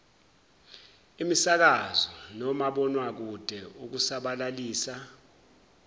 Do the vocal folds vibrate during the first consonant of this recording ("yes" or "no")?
yes